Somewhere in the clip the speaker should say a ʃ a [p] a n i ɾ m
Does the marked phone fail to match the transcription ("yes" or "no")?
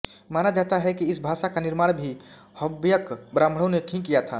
yes